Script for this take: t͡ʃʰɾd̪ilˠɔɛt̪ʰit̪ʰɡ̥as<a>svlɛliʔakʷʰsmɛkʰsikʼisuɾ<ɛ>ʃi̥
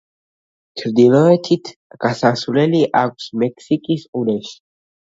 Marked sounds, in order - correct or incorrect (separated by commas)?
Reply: correct, correct